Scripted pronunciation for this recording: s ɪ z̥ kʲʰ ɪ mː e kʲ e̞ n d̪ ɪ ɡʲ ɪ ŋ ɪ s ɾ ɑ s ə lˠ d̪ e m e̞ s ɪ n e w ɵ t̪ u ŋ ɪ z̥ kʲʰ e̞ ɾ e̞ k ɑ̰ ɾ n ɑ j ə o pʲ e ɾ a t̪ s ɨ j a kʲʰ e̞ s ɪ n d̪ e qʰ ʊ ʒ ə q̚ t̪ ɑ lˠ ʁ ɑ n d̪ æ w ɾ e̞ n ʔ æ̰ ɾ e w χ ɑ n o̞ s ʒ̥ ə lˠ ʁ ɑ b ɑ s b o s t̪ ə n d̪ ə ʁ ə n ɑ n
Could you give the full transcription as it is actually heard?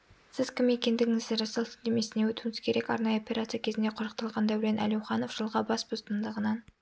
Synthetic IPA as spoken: s ɪ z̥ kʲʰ ɪ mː e kʲ e̞ n d̪ ɪ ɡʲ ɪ ŋ ɪ z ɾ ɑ s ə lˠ d̪ e m e̞ s ɪ n e w ɵ t̪ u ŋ ɪ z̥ kʲʰ e̞ ɾ e̞ k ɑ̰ ɾ n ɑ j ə o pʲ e ɾ a t̪ s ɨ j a kʲʰ e̞ z ɪ n d̪ e qʰ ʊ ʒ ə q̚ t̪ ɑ lˠ ʁ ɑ n d̪ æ w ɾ e̞ n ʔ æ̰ l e w χ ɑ n o̞ f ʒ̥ ə lˠ ʁ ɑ b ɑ s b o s t̪ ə n d̪ ə ʁ ə n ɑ n